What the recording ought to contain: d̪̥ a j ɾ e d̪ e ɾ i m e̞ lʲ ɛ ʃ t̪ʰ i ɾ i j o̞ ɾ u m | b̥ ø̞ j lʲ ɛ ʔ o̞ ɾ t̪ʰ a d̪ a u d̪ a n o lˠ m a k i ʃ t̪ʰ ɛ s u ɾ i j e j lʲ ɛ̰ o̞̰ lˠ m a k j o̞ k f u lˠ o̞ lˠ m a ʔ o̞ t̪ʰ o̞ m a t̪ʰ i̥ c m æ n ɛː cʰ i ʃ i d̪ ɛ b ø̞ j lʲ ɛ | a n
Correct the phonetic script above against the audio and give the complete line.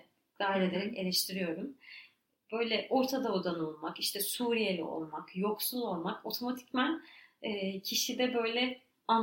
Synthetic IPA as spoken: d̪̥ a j ɾ e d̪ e ɾ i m e̞ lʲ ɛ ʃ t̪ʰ i ɾ i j o̞ ɾ u m | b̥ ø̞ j lʲ ɛ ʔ o̞ ɾ t̪ʰ a d̪ a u d̪ a n o lˠ m a k i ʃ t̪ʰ ɛ s u ɾ i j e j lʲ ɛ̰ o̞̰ lˠ m a k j o̞ k s u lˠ o̞ lˠ m a k o̞ t̪ʰ o̞ m a t̪ʰ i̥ c m æ n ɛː cʰ i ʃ i d̪ ɛ b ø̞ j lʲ ɛ | a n